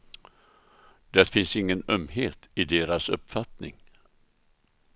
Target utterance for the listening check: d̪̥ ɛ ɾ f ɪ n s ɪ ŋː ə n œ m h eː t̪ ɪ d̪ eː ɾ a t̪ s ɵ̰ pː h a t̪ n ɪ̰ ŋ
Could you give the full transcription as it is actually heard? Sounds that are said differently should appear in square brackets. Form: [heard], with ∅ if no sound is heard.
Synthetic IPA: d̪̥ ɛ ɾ f ɪ n s ɪ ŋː ə n œ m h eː t̪ ɪ d̪ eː ɾ a [∅] s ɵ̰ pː [f] a t̪ n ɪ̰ ŋ